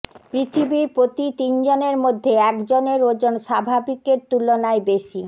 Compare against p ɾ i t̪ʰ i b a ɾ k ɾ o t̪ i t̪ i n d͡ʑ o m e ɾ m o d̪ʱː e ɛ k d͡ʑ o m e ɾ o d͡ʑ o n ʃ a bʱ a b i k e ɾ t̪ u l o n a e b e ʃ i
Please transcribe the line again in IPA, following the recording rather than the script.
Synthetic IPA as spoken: p ɾ i t̪ʰ i b i ɾ p ɾ o t̪ i t̪ i n d͡ʑ o n e ɾ m o d̪ʱː e ɛ k d͡ʑ o n e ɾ o d͡ʑ o n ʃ a bʱ a b i k e ɾ t̪ u l o n a e b e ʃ i